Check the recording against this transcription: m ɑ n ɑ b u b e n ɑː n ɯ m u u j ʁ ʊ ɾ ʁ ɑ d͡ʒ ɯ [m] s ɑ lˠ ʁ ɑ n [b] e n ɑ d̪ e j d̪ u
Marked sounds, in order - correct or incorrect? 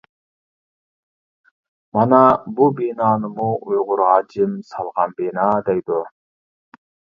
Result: correct, correct

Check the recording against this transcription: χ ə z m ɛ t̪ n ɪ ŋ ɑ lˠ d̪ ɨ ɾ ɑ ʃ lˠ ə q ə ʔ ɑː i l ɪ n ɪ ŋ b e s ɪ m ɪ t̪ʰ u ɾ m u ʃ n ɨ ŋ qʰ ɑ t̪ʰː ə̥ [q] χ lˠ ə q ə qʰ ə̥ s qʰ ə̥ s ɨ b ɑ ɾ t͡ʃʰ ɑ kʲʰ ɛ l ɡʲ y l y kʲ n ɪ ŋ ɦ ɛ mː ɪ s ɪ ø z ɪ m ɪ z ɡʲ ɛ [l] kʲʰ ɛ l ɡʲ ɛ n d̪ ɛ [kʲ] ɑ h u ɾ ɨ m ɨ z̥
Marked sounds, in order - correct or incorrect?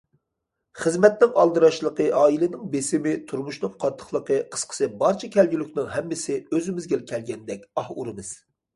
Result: incorrect, correct, correct

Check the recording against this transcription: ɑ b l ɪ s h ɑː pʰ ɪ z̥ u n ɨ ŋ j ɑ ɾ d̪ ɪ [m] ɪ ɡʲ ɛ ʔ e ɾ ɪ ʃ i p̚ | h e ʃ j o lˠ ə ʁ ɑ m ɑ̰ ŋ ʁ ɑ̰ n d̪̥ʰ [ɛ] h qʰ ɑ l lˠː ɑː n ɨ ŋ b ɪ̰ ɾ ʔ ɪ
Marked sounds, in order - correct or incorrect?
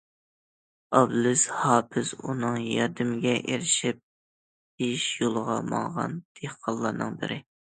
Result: correct, incorrect

